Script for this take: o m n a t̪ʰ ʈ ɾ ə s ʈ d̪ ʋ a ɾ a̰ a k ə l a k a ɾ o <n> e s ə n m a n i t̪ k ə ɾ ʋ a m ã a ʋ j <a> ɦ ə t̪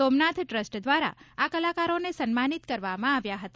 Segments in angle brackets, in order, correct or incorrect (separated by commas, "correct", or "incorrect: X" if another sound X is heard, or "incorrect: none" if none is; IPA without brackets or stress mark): correct, correct